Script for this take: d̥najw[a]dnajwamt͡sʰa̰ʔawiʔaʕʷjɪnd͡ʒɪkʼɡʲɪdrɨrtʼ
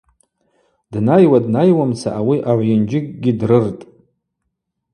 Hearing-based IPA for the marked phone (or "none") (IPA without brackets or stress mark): a